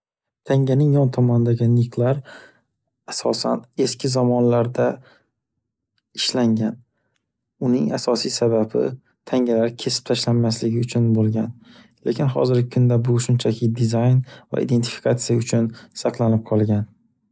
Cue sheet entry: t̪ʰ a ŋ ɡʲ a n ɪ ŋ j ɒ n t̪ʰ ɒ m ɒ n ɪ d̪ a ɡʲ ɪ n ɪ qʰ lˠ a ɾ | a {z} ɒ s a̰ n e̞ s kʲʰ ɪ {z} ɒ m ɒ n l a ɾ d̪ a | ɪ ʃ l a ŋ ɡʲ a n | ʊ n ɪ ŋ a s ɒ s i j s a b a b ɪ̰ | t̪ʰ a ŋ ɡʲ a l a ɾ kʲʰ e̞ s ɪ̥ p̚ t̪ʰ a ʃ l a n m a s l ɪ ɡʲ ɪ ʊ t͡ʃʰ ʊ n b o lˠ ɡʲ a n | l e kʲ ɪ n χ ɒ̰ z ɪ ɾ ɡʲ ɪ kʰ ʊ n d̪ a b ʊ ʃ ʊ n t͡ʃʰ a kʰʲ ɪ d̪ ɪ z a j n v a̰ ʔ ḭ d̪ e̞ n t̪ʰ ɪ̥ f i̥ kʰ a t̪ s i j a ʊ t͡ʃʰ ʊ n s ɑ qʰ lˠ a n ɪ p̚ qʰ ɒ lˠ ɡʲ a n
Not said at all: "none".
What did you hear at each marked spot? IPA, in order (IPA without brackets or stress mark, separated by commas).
s, z